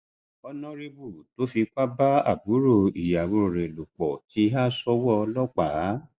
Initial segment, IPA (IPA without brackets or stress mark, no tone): ɔ